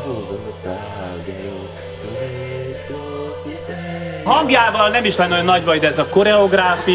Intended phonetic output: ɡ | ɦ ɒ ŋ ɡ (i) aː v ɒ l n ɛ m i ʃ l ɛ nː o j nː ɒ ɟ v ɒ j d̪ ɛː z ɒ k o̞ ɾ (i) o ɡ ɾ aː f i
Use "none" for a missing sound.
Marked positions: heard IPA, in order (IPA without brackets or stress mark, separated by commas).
j, ɛ